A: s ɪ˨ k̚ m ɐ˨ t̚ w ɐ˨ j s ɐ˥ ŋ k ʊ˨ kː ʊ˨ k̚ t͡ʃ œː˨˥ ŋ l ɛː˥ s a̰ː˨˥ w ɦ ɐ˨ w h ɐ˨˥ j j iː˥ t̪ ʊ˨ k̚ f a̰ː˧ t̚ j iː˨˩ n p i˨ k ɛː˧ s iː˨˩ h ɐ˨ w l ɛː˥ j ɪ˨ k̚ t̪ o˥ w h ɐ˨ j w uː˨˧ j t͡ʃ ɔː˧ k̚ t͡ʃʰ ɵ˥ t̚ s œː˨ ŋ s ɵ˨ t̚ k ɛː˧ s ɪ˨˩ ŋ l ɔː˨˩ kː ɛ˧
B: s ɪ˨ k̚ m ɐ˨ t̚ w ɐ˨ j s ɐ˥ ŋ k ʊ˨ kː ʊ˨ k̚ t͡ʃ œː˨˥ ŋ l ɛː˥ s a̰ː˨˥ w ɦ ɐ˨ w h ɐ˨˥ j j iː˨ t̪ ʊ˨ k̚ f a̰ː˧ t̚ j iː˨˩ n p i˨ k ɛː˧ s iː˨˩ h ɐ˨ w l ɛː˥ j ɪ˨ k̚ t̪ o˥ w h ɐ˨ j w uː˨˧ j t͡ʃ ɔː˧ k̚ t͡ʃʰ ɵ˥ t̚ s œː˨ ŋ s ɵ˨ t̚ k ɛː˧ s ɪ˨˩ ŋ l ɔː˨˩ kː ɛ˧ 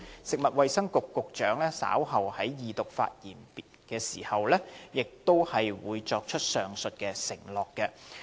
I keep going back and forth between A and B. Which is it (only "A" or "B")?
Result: B